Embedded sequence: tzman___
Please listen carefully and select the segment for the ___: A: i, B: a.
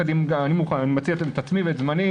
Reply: A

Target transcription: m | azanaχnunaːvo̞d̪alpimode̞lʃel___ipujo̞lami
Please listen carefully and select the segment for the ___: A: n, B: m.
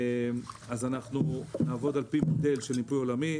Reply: A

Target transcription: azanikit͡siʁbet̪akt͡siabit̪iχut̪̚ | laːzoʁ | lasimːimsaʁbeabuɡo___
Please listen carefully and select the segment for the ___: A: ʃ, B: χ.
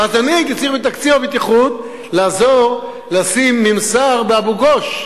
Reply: A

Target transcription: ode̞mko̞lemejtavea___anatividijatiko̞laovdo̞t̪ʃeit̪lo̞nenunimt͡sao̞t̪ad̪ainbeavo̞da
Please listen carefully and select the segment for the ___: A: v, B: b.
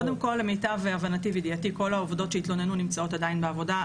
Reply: A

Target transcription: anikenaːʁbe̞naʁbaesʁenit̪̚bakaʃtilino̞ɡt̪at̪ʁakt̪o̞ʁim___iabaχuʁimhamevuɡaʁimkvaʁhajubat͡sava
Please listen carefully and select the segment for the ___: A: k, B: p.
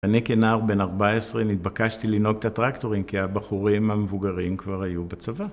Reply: A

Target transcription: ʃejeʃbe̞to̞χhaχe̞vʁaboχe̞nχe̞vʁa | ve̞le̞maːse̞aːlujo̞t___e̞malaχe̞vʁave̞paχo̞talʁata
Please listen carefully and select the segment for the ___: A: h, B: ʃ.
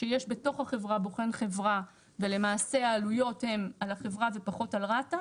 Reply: A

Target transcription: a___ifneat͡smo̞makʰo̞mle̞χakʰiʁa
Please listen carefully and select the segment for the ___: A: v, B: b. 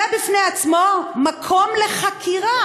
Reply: B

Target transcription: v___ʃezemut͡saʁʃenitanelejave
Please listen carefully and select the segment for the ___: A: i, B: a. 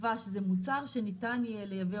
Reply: B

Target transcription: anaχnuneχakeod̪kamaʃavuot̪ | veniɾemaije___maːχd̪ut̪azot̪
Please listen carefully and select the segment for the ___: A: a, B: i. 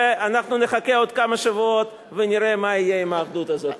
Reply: B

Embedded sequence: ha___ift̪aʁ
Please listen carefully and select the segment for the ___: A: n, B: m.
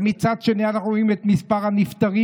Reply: A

